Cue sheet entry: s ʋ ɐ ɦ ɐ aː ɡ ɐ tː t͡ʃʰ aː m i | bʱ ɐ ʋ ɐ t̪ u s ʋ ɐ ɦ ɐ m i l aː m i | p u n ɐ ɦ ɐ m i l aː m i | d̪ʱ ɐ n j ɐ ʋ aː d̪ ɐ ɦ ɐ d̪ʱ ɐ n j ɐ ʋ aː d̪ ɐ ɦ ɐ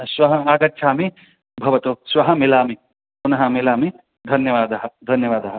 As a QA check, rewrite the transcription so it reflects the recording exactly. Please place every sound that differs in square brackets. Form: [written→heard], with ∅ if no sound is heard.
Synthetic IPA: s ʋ ɐ ɦ ɐ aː ɡ ɐ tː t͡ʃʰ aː m i | bʱ ɐ ʋ ɐ t̪ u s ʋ ɐ ɦ ɐ m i l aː m i | p u n ɐ ɦ ɐ m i l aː m i | d̪ʱ ɐ n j ɐ ʋ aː d̪ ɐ ɦ ɐ d̪ʱ ɐ n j ɐ ʋ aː d̪ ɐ ɦ ɐ